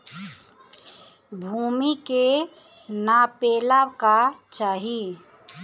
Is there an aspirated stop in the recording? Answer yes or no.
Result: no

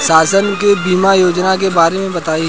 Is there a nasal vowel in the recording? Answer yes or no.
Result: yes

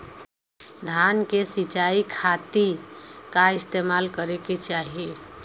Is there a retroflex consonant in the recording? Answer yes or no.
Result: no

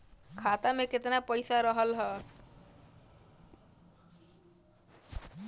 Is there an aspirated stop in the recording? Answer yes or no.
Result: yes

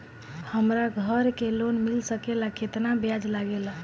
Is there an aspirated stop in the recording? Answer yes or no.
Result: no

